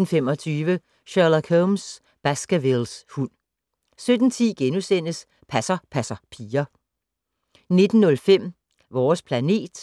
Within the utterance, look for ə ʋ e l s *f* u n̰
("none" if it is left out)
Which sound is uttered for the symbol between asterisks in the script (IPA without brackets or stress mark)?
h